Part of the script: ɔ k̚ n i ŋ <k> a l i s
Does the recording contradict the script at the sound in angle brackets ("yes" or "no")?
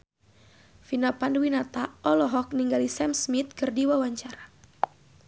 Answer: yes